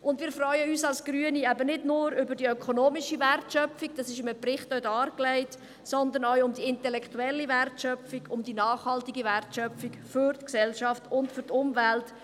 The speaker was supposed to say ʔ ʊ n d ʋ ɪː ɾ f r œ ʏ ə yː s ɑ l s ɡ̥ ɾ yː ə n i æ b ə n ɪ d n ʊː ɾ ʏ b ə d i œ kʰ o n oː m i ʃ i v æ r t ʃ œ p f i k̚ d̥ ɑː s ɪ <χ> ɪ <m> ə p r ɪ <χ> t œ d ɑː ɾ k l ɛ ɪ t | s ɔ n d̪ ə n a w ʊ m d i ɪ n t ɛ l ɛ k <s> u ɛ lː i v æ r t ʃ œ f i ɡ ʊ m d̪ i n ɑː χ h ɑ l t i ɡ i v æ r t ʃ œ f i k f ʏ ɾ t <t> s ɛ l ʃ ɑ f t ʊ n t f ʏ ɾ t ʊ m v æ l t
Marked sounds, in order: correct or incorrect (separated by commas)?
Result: incorrect, correct, correct, incorrect, incorrect